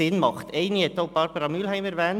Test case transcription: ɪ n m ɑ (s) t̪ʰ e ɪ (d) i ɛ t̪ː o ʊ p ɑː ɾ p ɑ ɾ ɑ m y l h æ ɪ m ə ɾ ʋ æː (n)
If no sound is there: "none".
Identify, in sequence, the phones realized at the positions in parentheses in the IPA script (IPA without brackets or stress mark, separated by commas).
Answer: χ, n, n